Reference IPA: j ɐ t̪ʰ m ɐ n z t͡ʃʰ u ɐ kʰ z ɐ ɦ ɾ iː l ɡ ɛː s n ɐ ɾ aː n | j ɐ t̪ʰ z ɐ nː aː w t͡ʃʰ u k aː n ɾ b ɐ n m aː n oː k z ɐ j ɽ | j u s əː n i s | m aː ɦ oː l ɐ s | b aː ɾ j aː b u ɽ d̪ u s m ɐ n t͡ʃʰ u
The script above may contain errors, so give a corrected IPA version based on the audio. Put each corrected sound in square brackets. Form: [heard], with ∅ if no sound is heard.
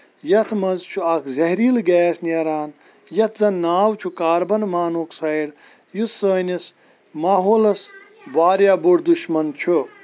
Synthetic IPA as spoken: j ɐ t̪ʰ m ɐ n z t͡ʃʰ u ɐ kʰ z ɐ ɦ ɾ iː l ɡ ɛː s n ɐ ɾ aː n | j ɐ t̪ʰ z ɐ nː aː w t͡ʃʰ u k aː [∅] ɾ b ɐ n m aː n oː k [s] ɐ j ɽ | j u s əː n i s | m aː ɦ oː l ɐ s | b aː ɾ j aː b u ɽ d̪ u [ʃ] m ɐ n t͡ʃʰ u